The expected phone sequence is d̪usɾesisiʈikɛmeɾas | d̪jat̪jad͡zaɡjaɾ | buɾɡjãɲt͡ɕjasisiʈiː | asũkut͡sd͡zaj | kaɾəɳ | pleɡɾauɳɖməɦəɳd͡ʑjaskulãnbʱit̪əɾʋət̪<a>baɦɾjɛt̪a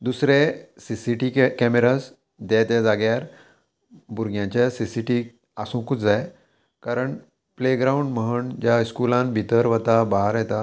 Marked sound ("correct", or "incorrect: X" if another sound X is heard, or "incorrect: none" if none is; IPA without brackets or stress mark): correct